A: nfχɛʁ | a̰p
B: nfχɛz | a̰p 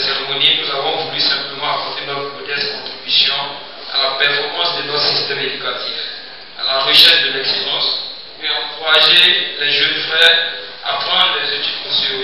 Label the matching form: A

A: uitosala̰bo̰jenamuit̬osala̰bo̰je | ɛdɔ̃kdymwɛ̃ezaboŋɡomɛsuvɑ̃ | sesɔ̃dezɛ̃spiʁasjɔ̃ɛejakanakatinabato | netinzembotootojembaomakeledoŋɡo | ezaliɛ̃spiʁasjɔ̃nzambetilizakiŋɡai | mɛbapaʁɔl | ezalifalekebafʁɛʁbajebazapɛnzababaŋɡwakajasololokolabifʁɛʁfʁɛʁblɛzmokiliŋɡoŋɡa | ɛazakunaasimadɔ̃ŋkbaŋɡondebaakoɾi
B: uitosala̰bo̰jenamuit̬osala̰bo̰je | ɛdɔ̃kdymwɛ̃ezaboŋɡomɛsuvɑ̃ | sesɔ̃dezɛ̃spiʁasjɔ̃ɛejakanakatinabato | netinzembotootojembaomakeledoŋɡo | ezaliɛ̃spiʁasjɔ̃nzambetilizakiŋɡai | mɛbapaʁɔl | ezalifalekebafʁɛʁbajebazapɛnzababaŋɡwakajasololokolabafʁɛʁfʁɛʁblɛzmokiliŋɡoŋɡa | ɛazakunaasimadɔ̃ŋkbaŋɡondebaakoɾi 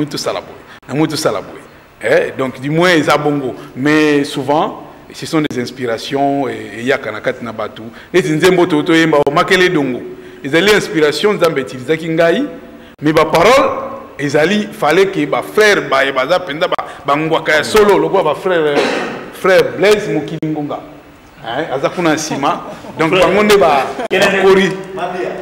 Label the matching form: B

